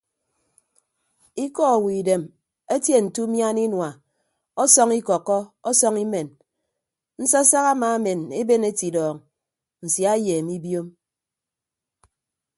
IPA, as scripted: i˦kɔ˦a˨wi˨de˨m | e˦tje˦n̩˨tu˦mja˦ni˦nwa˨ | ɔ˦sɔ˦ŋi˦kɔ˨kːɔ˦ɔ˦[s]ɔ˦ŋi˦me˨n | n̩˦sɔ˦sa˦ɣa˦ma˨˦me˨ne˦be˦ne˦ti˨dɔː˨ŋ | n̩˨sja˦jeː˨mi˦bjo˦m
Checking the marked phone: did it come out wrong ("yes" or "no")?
no